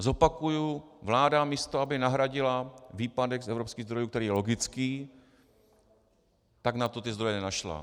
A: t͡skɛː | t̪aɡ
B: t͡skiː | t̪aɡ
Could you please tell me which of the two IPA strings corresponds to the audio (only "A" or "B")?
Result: B